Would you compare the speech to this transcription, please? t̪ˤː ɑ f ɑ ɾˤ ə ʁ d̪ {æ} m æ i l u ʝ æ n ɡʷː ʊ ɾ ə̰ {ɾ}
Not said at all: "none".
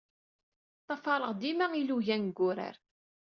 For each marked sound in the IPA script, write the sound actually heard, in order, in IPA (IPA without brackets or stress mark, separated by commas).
i, ɾ